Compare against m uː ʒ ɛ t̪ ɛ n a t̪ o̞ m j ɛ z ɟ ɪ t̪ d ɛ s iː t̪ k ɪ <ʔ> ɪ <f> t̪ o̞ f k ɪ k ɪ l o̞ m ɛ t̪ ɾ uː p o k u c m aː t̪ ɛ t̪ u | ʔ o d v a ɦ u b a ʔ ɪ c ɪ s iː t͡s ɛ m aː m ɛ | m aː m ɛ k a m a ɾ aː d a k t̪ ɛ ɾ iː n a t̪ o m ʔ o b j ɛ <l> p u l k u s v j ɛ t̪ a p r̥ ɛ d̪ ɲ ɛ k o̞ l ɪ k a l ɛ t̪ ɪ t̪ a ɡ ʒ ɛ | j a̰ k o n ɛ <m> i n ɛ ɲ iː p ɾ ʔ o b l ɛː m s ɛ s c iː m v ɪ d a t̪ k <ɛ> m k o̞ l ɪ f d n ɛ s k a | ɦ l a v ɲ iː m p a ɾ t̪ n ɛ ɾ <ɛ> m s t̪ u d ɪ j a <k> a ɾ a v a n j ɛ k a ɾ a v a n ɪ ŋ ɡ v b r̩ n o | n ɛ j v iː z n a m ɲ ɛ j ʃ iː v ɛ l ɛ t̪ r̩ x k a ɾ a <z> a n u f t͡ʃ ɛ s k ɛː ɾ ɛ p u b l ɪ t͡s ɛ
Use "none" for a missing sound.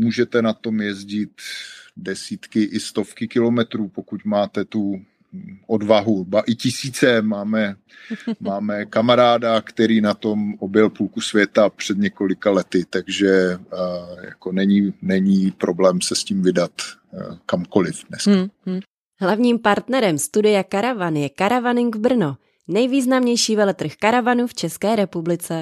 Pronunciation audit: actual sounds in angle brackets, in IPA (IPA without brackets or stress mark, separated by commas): ʔ, s, l, ɲ, a, ɛ, k, v